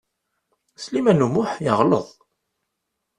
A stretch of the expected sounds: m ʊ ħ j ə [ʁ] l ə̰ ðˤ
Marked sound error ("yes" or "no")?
no